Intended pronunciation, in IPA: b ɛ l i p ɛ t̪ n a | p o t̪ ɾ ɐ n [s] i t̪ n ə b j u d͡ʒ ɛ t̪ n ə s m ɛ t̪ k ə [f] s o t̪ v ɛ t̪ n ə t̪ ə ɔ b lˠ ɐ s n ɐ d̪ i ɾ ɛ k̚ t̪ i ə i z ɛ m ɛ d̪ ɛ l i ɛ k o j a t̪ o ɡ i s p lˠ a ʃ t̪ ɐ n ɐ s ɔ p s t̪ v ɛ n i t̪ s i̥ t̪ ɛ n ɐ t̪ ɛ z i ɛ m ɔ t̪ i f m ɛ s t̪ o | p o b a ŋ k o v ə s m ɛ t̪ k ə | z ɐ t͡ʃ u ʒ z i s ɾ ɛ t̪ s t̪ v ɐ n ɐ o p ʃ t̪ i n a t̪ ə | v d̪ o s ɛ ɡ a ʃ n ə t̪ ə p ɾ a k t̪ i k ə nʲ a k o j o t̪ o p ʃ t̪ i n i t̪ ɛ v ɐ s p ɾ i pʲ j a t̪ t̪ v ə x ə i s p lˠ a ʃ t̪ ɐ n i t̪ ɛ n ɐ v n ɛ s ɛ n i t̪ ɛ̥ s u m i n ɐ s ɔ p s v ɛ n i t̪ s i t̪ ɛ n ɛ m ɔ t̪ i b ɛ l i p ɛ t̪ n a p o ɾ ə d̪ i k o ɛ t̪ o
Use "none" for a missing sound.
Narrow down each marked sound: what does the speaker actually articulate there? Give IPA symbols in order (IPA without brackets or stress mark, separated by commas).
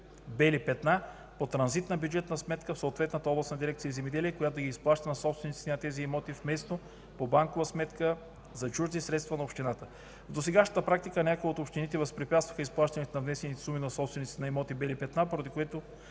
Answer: z, f